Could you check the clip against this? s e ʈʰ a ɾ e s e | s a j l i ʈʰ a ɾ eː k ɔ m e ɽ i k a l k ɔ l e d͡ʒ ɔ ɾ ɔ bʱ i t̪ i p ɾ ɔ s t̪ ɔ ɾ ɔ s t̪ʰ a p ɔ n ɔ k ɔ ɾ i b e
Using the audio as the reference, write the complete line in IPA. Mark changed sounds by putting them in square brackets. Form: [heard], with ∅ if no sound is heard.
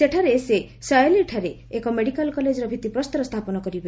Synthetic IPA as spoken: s e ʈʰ a ɾ e s e | s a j l i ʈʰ a ɾ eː k ɔ m e ɽ i k a l k ɔ l e d͡ʒ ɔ ɾ ɔ bʱ i t̪ i p ɾ ɔ s t̪ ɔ ɾ ɔ s t̪ʰ a p ɔ n ɔ k ɔ ɾ i b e